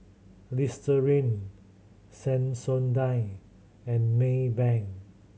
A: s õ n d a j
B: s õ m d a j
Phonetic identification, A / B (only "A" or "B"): A